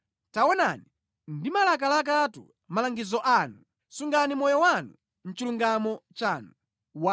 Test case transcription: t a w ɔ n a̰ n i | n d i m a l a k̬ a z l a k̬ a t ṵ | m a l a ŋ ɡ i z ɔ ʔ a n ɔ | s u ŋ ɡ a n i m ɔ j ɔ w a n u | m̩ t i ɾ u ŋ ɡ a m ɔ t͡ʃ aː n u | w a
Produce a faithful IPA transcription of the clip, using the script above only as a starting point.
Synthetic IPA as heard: t a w ɔ n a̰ n i | n d i m a l a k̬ a l a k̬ a t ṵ | m a l a ŋ ɡ i z ɔ ʔ a n u | s u ŋ ɡ a n i m ɔ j ɔ w a n u | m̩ t͡ʃ i l u ŋ ɡ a m ɔ t͡ʃ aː n u | w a